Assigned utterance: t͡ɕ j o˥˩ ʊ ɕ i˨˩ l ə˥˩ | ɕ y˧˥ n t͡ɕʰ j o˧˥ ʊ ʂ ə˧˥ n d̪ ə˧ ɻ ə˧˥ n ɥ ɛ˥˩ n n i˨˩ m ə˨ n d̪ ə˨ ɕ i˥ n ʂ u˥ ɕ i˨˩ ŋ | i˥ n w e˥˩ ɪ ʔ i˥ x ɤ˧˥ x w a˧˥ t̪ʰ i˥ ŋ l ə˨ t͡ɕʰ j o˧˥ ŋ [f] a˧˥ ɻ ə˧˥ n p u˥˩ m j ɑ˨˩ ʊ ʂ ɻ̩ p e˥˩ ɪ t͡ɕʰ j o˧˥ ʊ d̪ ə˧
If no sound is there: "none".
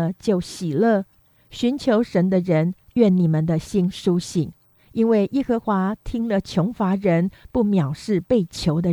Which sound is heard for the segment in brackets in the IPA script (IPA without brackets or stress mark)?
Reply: f